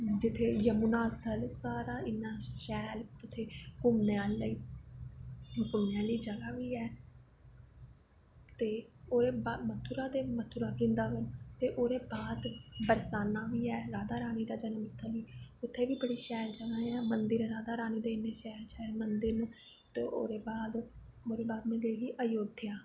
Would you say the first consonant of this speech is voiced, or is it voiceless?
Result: voiced